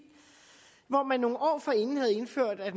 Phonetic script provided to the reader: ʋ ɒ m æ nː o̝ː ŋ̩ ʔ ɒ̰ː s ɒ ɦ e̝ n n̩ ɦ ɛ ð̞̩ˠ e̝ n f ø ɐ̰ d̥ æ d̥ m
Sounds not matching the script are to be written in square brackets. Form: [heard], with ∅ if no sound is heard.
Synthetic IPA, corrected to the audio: ʋ ɒ m æ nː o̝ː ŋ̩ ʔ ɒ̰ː [f] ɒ [∅] e̝ n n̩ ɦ [æ] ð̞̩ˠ e̝ n f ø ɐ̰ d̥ æ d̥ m